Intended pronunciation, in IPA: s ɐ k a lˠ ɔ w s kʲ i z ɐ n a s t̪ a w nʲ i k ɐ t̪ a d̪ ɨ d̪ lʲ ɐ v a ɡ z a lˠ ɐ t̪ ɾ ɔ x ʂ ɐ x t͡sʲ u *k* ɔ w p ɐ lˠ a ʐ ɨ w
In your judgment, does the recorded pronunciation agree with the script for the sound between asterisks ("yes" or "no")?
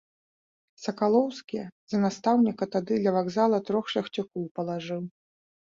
yes